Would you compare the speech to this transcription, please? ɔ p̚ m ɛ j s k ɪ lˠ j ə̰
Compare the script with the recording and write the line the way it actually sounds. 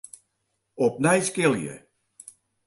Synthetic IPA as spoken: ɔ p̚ n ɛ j s k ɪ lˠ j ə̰